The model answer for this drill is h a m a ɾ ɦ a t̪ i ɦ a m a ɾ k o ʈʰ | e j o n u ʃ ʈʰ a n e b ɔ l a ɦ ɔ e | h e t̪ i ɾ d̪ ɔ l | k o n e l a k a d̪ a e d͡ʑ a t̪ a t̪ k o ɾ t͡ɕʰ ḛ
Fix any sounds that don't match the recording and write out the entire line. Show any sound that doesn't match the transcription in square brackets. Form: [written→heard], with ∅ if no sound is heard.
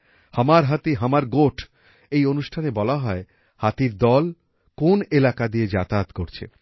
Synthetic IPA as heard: h a m a ɾ ɦ a t̪ i ɦ a m a ɾ [k→ɡ] o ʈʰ | e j o n u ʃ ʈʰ a n e b ɔ l a ɦ ɔ e | h [e→a] t̪ i ɾ d̪ ɔ l | k o n e l a k a d̪ [a→i] e d͡ʑ a t̪ a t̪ k o ɾ t͡ɕʰ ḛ

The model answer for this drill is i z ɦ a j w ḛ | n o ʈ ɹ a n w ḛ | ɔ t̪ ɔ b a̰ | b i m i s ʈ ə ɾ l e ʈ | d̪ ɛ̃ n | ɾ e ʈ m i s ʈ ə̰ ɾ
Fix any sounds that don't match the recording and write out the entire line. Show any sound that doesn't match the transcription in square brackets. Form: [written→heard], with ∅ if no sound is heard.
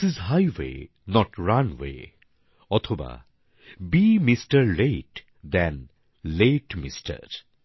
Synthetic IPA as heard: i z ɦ a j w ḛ | n [o→ɔ] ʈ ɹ a n w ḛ | ɔ [t̪→t̪ʰ] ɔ b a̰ | b i m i s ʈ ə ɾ l e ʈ | d̪ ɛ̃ n | [ɾ→l] e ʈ m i s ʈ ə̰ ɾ

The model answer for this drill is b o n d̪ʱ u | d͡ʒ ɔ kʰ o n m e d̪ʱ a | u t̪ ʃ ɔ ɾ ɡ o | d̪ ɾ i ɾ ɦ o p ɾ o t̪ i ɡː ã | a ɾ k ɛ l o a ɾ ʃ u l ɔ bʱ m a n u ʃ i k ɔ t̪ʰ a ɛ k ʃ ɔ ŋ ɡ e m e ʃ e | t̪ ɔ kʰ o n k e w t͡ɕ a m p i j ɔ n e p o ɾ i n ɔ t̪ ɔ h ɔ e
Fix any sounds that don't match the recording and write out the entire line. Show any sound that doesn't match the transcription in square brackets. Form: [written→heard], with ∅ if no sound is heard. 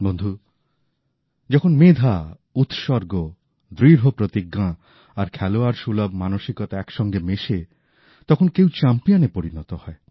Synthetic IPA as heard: b o n d̪ʱ u | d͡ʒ ɔ kʰ o n m e d̪ʱ a | u t̪ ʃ ɔ ɾ ɡ o | d̪ ɾ i ɾ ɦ o p ɾ o t̪ i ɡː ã | a ɾ [k→kʰ] ɛ l o a ɾ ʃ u l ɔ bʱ m a n [u→o] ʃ i k ɔ [t̪ʰ→t̪] a ɛ k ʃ ɔ ŋ ɡ e m e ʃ e | t̪ ɔ kʰ o n k e w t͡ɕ a m p i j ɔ n e p o ɾ i n ɔ t̪ ɔ h ɔ e

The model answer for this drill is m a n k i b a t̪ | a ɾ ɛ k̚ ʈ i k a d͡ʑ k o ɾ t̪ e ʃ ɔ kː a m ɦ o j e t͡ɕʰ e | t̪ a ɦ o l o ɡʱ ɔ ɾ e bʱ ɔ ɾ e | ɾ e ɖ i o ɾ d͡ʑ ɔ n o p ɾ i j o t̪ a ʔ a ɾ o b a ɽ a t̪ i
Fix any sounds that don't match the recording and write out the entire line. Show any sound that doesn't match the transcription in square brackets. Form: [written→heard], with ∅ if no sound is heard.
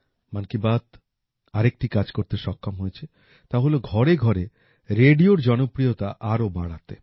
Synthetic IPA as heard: m a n k i b a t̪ | a ɾ [ɛ→e] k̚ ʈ i k a d͡ʑ k o ɾ t̪ e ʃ ɔ kː a m ɦ o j e t͡ɕʰ e | t̪ a ɦ o l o ɡʱ ɔ ɾ e [bʱ→ɡʱ] ɔ ɾ e | ɾ e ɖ i o ɾ d͡ʑ ɔ n o p ɾ i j o t̪ a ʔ a ɾ o b a ɽ a t̪ [i→e]

